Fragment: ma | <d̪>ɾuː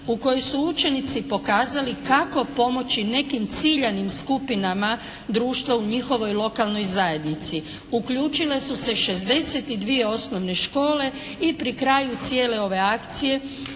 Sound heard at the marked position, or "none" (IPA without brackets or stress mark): d̪